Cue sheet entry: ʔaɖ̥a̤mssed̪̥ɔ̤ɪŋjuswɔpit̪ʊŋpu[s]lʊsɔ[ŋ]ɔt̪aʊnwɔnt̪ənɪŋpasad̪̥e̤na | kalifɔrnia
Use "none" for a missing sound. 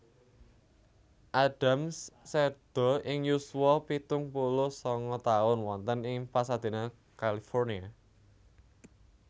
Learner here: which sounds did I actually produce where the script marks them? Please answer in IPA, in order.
none, ŋ

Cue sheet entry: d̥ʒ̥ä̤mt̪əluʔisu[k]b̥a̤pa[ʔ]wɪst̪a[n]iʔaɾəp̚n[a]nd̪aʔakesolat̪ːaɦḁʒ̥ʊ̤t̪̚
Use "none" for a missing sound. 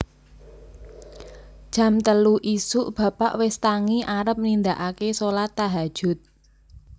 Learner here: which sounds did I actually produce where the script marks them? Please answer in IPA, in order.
ʔ, ʔ, ŋ, i

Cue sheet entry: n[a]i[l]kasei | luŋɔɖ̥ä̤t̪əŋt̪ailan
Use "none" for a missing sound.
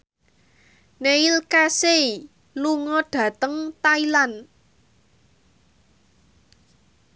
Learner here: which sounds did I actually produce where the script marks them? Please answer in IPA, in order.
e, l

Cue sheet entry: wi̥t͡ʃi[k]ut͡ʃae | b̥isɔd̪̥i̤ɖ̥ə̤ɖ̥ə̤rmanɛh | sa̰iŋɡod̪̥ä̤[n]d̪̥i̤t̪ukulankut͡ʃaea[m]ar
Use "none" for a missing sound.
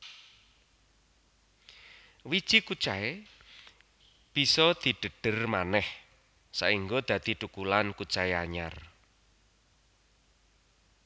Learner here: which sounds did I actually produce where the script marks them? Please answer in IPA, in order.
k, none, ɲ

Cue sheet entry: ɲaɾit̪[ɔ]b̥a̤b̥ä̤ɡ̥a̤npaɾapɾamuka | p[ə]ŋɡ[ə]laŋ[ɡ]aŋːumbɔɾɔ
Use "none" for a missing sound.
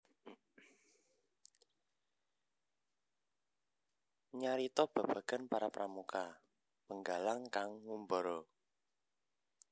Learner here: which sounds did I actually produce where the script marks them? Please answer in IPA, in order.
ɔ, ə, a, k

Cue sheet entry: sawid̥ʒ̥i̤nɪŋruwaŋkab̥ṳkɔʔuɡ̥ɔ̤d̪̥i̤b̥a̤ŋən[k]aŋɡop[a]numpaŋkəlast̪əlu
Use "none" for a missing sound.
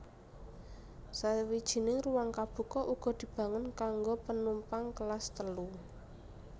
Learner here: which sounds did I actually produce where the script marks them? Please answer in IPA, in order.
k, ə

